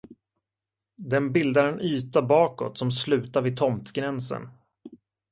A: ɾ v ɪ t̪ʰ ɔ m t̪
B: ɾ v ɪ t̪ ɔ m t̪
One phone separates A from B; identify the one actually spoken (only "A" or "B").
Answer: A